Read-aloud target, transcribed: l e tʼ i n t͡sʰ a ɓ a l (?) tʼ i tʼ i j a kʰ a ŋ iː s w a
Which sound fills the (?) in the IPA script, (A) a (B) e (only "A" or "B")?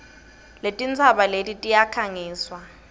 B